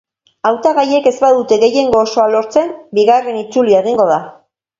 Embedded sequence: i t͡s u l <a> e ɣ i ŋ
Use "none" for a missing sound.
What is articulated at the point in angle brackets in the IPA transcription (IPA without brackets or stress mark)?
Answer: i